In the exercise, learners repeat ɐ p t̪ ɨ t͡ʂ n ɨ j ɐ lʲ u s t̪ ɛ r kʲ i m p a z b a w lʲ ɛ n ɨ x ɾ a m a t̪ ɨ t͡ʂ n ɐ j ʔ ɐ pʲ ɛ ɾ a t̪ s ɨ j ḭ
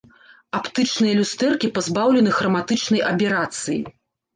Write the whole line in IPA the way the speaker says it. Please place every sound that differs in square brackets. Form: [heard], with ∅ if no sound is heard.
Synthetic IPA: [a] p t̪ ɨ t͡ʂ n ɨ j ɐ lʲ u s t̪ ɛ r kʲ i [∅] p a z b a w lʲ ɛ n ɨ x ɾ [ɐ] m a t̪ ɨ t͡ʂ n ɐ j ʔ ɐ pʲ ɛ ɾ a t̪ s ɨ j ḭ